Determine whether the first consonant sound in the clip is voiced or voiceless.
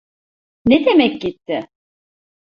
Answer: voiced